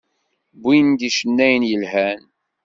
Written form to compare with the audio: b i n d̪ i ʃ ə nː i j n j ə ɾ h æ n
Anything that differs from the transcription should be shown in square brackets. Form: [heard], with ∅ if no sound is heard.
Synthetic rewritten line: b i n d̪ i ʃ ə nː [æ] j n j ə [l] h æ n